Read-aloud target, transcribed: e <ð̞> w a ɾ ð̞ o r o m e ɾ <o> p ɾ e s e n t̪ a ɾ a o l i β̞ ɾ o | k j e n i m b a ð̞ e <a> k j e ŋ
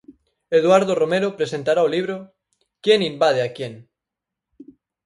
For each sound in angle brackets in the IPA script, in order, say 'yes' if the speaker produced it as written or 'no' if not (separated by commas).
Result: yes, yes, yes